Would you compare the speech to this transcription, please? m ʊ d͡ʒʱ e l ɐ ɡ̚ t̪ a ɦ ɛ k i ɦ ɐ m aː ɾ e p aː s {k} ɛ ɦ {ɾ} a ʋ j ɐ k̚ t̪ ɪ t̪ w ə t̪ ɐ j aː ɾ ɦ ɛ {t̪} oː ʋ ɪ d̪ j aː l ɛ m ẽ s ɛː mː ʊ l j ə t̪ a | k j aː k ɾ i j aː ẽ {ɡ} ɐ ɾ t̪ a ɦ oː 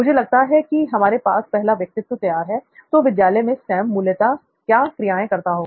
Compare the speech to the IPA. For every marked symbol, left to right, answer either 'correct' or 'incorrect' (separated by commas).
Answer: incorrect, incorrect, correct, incorrect